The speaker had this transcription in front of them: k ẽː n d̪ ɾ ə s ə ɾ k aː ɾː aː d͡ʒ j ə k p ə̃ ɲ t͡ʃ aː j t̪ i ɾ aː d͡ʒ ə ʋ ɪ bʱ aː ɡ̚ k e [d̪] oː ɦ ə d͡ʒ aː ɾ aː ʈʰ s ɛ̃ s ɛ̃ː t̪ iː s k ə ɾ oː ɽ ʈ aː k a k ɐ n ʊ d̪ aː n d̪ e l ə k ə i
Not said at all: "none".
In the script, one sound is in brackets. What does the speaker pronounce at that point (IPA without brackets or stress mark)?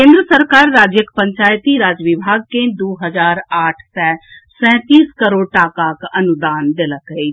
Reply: d̪